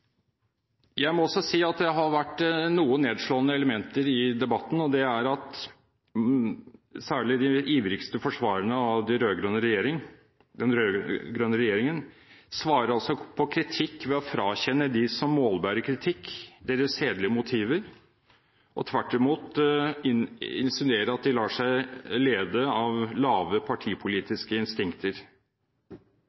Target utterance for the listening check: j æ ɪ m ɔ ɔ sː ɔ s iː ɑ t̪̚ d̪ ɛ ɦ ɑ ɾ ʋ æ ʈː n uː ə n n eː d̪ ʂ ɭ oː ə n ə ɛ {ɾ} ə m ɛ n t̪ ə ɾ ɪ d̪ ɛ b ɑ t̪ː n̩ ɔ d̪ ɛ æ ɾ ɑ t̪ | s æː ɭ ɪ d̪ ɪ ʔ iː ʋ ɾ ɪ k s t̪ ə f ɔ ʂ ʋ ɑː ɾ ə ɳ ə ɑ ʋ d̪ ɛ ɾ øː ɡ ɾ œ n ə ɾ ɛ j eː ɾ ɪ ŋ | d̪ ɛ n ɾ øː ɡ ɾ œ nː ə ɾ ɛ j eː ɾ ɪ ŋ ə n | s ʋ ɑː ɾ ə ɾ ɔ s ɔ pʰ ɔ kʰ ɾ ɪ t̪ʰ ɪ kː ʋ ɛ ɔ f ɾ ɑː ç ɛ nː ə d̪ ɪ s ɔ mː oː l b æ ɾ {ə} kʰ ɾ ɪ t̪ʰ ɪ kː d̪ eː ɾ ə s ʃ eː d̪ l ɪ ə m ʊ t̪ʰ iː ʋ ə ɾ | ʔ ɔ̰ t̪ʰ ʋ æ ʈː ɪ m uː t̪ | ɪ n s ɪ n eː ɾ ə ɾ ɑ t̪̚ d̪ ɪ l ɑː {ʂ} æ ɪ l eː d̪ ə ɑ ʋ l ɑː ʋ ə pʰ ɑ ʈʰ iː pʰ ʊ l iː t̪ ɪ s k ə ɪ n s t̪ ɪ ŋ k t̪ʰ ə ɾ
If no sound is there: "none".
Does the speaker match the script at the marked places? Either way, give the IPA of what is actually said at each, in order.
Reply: l, ə, ʂ

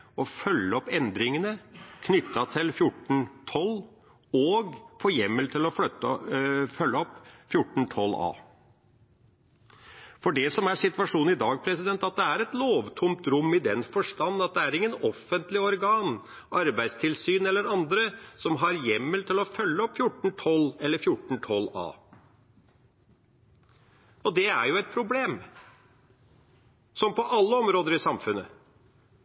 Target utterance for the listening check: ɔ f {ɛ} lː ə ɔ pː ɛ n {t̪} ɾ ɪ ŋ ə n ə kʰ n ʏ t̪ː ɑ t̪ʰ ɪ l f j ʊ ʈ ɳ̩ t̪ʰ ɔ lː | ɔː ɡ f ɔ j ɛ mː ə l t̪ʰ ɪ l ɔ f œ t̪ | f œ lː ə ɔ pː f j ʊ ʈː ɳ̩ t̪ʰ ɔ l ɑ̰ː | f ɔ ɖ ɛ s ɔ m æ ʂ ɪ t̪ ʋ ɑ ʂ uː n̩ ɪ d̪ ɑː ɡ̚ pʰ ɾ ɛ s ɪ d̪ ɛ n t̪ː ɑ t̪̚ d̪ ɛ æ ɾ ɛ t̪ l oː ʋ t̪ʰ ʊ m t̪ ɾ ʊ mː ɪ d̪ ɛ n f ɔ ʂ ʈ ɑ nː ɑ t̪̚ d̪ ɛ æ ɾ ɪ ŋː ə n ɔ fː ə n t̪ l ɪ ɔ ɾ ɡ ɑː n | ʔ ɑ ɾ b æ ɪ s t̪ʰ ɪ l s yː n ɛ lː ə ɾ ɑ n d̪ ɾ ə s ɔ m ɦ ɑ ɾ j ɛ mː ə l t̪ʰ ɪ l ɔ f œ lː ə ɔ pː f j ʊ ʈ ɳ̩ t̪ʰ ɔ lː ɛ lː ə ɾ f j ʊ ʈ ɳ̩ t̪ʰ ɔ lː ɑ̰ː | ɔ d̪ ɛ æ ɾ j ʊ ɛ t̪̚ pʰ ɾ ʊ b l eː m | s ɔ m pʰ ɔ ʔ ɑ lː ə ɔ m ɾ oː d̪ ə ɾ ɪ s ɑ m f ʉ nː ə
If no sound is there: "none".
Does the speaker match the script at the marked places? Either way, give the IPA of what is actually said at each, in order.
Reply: œ, d̪

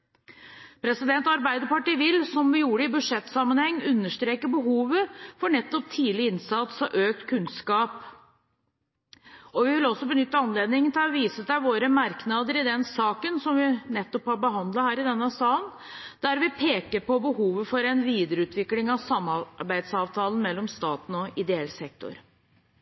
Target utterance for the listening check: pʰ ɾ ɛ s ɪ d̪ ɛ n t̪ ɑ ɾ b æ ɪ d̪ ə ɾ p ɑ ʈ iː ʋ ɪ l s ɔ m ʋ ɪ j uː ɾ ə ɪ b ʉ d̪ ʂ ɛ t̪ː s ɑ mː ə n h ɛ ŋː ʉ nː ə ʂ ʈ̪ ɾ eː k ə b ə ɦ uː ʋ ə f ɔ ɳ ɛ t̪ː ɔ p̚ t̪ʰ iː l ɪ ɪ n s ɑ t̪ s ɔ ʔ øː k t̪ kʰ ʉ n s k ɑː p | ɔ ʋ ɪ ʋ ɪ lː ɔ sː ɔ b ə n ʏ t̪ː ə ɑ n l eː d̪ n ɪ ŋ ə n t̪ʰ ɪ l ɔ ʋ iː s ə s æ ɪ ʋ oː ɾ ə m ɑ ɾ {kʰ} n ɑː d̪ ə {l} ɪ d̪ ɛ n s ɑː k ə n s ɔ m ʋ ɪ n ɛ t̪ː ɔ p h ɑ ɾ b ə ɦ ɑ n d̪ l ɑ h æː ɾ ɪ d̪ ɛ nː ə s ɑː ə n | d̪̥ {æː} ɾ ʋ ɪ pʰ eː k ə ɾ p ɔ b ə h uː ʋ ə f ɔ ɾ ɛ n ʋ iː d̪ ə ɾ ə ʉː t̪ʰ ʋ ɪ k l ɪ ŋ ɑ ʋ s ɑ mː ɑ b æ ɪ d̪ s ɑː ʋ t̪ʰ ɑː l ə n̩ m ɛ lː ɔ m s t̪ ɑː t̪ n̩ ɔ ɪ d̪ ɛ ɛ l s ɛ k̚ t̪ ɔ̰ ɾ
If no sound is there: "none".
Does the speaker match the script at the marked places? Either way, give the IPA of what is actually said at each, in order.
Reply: k, ɾ, æ

